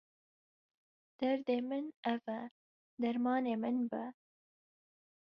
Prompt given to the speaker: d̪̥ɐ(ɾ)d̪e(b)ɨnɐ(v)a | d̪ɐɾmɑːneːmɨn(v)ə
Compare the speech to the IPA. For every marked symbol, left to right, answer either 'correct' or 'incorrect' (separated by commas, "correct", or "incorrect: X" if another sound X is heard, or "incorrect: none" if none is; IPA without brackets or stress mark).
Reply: correct, incorrect: m, correct, incorrect: b